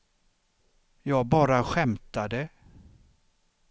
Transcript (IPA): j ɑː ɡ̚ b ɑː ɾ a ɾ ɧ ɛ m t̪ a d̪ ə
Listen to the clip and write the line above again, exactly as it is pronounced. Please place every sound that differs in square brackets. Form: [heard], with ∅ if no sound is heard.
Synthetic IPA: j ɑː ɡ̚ b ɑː ɾ a [∅] ɧ ɛ m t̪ a d̪ ə